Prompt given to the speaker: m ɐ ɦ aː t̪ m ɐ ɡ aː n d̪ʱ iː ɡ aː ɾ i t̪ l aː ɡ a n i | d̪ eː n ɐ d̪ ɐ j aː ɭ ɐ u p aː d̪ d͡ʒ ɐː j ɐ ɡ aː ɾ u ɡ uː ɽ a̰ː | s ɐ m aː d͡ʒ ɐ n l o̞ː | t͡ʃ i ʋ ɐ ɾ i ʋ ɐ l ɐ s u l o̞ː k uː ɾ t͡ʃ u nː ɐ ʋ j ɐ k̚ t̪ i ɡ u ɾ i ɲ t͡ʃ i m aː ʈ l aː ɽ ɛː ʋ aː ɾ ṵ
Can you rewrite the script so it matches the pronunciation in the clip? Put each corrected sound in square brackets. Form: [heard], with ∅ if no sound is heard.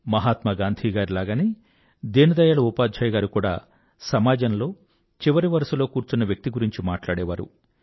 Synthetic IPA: m ɐ ɦ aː t̪ m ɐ ɡ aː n d̪ʱ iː ɡ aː ɾ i [∅] l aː ɡ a n i | d̪ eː n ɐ d̪ ɐ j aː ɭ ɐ u p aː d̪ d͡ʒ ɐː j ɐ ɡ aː ɾ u [k] uː ɽ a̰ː | s ɐ m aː d͡ʒ ɐ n l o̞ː | t͡ʃ i ʋ ɐ ɾ i ʋ ɐ [ɾ] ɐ s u l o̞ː k uː ɾ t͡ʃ u nː ɐ ʋ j ɐ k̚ t̪ i ɡ u ɾ i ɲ t͡ʃ i m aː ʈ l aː ɽ ɛː ʋ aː ɾ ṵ